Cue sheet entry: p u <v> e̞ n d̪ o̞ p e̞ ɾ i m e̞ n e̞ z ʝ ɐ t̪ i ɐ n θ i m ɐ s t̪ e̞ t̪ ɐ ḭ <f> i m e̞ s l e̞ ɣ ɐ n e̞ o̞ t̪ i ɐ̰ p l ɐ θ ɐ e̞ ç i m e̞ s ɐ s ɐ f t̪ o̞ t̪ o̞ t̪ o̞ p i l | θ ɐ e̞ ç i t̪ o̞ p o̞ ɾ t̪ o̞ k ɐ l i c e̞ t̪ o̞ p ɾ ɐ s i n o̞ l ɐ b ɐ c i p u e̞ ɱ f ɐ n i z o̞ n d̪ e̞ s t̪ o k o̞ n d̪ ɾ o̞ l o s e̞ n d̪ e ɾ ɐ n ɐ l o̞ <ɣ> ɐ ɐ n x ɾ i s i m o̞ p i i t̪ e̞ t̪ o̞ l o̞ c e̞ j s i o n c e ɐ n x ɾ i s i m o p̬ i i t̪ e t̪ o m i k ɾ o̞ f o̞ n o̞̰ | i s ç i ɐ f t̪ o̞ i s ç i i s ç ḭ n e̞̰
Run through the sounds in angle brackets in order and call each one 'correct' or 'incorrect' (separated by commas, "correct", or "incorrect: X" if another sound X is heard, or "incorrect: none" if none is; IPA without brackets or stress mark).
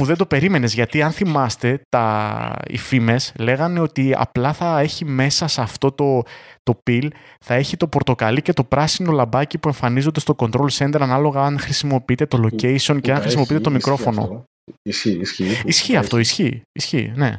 incorrect: ð, correct, correct